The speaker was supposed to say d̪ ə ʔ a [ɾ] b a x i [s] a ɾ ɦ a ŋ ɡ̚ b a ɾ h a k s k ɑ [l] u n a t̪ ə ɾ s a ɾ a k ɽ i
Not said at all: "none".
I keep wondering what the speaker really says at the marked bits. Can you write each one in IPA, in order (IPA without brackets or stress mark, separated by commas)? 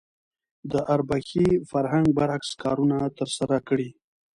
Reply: ɾ, f, ɾ